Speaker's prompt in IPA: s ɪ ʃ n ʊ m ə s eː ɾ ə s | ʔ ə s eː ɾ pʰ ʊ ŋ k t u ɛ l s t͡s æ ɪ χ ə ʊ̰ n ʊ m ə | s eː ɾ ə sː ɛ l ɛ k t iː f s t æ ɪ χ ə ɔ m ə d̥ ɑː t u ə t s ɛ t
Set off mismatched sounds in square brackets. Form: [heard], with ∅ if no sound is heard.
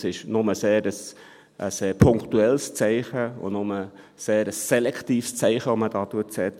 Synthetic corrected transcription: s ɪ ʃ n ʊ m ə s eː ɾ ə s | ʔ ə s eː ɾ pʰ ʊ ŋ k t u ɛ l s t͡s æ ɪ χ ə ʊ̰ n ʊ m ə | s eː ɾ ə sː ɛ l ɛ k t iː f s [t͡s] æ ɪ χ ə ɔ m ə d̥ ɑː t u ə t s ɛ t